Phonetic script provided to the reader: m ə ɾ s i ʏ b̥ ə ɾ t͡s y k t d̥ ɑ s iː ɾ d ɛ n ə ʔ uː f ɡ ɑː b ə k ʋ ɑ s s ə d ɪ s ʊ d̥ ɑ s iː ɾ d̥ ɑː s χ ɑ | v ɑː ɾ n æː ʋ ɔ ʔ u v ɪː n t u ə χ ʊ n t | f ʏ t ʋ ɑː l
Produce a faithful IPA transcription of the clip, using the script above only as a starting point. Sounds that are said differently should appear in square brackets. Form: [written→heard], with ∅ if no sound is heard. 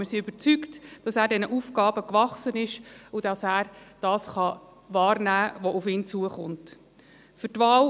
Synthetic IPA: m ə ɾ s i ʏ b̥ ə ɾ t͡s y k t d̥ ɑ s [iː→æː] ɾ d ɛ n ə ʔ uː f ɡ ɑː b ə k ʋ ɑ [s→χ] s ə [d→n] ɪ [s→ʃ] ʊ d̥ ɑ s [iː→æː] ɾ d̥ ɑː s χ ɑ | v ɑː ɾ n æː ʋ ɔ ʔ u [v→f] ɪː n [t→t͡s] u ə χ ʊ n t | f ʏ t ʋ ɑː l